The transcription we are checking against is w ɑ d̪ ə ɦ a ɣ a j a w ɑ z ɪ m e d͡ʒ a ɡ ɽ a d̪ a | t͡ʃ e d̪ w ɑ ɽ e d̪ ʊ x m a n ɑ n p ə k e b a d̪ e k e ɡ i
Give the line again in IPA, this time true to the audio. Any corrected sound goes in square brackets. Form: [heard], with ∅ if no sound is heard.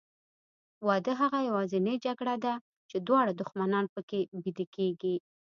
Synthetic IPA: w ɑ d̪ ə ɦ a ɣ a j a w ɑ z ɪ [n] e d͡ʒ a ɡ ɽ a d̪ a | t͡ʃ e d̪ w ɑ ɽ [a] d̪ ʊ x m a n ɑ n p ə k e b [i] d̪ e k e ɡ i